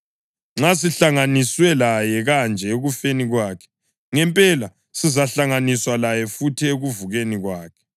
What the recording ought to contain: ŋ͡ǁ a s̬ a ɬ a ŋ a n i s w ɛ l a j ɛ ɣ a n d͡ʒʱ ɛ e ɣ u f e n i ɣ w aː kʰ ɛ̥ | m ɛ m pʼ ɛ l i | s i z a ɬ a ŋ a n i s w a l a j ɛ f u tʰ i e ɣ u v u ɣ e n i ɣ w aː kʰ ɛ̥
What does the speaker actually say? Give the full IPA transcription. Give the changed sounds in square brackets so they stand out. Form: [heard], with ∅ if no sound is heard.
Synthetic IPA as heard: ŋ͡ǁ a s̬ [i] ɬ a ŋ a n i s w ɛ l a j ɛ ɣ a n d͡ʒʱ ɛ e ɣ u f e n i ɣ w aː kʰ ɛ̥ | [ŋ] ɛ m pʼ ɛ l [a] | s i z a ɬ a ŋ a n i s w a l a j ɛ f u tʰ i e ɣ u v u ɣ e n i ɣ w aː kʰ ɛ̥